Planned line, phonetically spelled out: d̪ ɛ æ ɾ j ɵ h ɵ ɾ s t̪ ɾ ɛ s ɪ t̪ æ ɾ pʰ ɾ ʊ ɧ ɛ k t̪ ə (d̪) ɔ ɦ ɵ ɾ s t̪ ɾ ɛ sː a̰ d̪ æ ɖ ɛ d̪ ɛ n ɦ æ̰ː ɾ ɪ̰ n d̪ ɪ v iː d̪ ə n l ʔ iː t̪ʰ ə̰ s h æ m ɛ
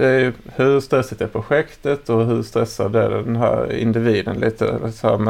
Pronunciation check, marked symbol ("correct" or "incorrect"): incorrect